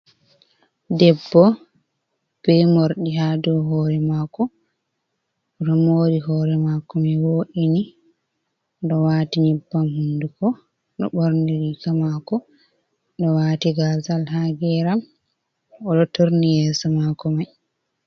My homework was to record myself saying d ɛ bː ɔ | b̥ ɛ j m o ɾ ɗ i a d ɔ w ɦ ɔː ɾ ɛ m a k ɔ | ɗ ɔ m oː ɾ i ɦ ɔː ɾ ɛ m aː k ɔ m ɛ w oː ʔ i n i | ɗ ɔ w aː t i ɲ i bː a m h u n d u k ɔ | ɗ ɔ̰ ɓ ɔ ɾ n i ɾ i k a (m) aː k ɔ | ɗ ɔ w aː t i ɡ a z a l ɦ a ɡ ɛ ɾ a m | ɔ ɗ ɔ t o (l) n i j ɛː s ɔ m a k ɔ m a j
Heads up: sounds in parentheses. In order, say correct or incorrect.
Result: correct, incorrect: ɾ

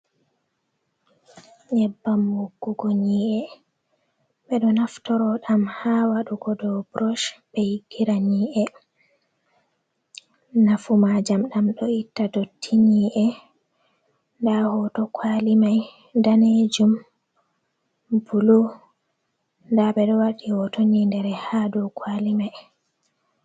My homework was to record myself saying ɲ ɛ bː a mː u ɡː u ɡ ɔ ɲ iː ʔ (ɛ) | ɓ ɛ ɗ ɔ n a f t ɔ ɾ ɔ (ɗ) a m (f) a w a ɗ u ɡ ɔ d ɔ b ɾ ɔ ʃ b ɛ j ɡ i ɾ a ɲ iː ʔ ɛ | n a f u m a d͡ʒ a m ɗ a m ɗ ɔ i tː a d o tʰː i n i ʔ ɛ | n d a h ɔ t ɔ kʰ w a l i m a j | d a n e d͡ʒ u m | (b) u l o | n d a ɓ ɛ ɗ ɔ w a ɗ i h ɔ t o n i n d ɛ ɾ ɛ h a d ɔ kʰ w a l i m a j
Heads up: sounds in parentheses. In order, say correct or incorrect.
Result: correct, correct, incorrect: h, correct

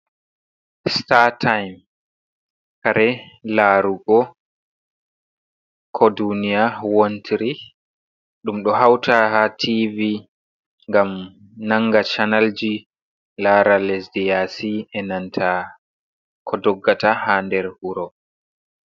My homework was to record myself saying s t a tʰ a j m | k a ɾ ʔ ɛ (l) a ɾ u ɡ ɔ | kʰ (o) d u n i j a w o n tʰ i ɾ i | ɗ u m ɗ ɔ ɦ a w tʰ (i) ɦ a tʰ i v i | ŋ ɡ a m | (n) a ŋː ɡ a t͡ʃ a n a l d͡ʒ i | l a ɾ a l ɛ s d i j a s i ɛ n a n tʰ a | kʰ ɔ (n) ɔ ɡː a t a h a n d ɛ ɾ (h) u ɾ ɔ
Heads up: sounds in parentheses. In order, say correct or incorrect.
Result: correct, incorrect: ɔ, incorrect: a, correct, incorrect: d, correct

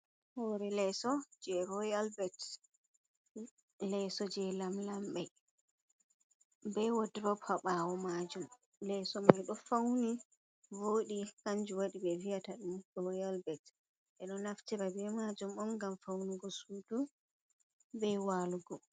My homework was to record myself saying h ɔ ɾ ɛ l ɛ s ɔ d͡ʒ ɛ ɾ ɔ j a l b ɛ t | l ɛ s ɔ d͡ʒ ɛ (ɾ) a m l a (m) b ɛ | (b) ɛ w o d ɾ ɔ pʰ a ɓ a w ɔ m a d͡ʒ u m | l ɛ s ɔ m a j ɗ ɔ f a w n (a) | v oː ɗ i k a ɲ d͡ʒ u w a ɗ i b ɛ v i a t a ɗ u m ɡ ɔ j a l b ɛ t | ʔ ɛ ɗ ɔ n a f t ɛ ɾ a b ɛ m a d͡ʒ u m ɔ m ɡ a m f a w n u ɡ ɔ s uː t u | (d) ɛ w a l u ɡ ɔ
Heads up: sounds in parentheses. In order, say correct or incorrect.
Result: incorrect: l, correct, correct, incorrect: i, incorrect: b

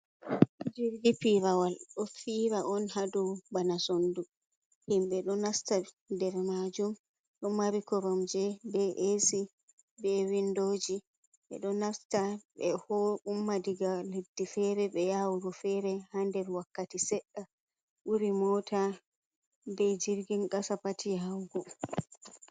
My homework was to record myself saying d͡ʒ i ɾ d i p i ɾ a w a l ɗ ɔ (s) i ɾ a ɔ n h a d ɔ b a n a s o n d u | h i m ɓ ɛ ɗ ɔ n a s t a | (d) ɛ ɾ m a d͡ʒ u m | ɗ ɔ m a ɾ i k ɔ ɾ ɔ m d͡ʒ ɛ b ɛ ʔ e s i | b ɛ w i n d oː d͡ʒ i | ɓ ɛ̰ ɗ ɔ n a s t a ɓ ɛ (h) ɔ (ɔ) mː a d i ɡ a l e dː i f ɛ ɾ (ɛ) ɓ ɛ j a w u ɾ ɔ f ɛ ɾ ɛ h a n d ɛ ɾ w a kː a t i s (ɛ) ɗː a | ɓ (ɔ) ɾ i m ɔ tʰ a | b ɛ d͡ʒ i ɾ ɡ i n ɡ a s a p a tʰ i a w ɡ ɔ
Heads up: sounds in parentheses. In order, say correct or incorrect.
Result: incorrect: f, correct, correct, incorrect: u, correct, correct, incorrect: u

